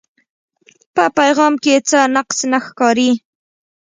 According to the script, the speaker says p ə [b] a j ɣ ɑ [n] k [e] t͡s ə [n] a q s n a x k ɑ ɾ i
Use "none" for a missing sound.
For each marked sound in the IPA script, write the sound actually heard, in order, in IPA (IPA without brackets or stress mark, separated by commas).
p, m, e, n